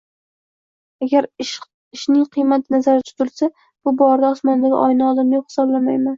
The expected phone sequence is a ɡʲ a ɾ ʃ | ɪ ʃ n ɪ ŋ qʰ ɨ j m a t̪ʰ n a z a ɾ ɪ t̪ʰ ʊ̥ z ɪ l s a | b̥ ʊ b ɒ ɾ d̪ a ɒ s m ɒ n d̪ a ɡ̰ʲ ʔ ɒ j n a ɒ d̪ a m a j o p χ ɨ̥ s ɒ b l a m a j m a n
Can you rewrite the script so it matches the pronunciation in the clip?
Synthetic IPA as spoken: a ɡʲ a ɾ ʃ | ɪ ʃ n ɪ ŋ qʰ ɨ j m a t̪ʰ n a z a ɾ ɪ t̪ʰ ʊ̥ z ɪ l s a | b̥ ʊ b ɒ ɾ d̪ a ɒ s m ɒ n d̪ a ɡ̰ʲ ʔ ɒ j n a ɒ d̪ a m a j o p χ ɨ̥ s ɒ b l a m a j m a n